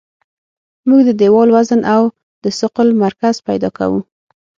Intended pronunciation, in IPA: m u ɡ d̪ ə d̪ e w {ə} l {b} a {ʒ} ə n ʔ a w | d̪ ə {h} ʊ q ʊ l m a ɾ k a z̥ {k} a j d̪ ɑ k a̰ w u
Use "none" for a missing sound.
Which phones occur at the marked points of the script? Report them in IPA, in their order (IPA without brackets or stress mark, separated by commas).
ɑ, w, z, s, p